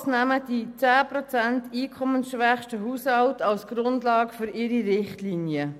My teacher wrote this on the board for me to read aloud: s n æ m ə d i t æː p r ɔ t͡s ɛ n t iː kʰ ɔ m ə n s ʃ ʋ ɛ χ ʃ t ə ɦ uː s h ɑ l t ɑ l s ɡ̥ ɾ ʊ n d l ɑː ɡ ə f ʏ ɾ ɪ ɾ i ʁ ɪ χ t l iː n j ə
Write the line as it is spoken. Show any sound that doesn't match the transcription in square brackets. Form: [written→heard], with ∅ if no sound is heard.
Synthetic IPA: s n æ m ə d i [t→t͡s] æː p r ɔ t͡s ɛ n t iː kʰ ɔ m ə n s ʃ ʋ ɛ χ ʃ t ə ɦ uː s h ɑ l t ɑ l s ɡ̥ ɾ ʊ n d l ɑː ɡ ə f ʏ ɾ ɪ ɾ i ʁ ɪ χ t l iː n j ə